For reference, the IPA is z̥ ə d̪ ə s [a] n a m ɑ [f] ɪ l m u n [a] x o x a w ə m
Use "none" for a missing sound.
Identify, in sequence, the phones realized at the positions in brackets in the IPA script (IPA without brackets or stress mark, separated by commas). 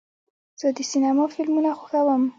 i, f, a